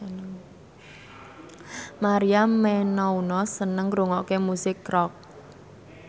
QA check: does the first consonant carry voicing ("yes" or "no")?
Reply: yes